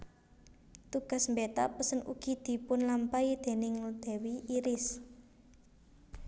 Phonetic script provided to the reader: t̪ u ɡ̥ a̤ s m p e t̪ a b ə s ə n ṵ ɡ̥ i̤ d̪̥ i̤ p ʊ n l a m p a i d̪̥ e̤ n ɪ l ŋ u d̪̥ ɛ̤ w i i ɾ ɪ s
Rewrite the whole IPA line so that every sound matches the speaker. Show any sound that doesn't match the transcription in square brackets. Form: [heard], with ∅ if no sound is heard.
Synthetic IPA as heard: t̪ u ɡ̥ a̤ s m [b] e t̪ a [p] ə s ə n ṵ ɡ̥ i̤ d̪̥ i̤ p ʊ n l a m p a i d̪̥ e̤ n ɪ [∅] ŋ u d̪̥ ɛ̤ w i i ɾ ɪ s